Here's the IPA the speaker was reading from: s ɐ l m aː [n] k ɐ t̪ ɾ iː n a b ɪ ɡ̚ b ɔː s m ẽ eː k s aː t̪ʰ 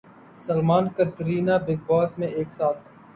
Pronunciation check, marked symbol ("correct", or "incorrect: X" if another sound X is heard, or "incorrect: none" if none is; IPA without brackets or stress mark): correct